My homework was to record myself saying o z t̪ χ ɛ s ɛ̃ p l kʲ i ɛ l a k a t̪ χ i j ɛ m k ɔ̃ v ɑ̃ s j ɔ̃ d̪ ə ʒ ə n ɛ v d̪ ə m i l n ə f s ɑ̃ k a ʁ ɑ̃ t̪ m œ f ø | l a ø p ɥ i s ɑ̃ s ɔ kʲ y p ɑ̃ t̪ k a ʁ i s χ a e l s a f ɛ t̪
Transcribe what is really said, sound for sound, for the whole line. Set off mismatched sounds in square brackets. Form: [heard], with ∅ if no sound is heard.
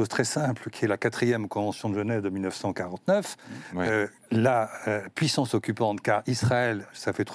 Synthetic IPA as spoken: o z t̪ χ ɛ s ɛ̃ p l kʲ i ɛ l a k a t̪ χ i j ɛ m k ɔ̃ v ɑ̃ s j ɔ̃ d̪ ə ʒ ə n ɛ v d̪ ə m i l n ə f s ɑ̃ k a ʁ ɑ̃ t̪ [n] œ f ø | l a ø p ɥ i s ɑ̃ s ɔ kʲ y p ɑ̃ t̪ k a ʁ i s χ a [ɛ] l s a f ɛ t̪